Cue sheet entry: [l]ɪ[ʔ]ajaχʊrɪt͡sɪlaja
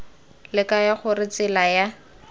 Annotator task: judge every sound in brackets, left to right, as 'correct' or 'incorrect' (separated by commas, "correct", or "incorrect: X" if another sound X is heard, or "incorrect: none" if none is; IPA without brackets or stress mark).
correct, incorrect: k